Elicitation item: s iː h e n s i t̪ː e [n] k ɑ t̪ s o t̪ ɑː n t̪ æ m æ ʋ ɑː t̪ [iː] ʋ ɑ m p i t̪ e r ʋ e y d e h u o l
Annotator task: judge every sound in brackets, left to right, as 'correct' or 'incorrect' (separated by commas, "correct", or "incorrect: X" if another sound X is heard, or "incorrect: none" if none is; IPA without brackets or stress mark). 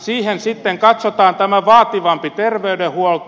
incorrect: ŋ, incorrect: i